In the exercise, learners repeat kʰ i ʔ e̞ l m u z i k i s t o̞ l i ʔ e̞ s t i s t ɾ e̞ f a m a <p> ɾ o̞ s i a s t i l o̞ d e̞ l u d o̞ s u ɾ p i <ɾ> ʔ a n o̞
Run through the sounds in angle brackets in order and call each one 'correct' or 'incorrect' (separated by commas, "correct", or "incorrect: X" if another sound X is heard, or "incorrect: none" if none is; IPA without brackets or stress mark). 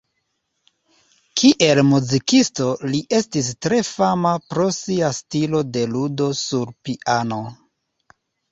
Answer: correct, incorrect: none